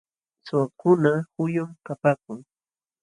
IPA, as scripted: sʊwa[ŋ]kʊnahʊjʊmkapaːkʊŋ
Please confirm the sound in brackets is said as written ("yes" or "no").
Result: no